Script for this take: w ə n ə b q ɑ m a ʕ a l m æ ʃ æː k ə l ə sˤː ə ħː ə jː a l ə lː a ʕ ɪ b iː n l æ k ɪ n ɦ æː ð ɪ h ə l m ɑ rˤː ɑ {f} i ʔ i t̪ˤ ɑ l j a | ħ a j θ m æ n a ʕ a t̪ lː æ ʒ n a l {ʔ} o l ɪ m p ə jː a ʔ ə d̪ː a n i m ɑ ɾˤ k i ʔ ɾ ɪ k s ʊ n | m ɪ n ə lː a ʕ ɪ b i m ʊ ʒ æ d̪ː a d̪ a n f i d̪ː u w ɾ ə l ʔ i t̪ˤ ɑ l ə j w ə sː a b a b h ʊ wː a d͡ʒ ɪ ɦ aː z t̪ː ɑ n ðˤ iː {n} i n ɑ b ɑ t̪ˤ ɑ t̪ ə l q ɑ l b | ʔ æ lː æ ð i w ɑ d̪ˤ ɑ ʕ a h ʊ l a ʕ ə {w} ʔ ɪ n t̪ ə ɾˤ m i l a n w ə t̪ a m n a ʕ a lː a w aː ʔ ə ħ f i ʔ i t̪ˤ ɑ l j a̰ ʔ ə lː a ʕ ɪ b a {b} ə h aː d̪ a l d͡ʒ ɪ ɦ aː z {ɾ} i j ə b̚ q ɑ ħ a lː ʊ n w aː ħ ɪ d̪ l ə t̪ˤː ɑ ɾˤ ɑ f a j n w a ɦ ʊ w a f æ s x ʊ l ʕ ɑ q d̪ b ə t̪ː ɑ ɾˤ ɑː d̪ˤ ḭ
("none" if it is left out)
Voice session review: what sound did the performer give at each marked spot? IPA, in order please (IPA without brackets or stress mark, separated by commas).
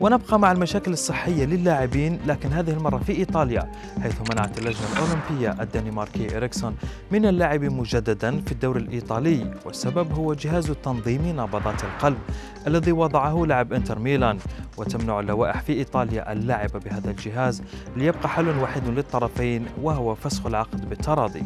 f, ʔ, m, b, b, l